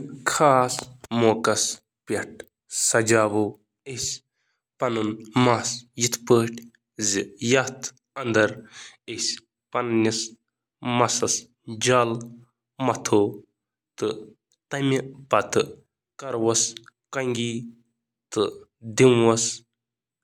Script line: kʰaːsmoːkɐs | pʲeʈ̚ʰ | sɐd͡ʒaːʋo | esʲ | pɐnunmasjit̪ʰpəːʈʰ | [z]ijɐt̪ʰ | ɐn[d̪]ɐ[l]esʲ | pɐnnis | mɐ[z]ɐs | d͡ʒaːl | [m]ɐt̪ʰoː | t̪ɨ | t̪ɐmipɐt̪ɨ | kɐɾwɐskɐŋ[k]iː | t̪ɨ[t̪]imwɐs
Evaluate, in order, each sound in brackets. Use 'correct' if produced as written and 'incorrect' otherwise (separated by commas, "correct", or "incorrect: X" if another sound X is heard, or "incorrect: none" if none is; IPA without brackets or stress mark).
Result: correct, correct, incorrect: ɾ, incorrect: s, correct, incorrect: ɡ, incorrect: d̪